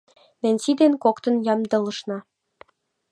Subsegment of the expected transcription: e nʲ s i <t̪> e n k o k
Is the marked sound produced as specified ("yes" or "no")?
no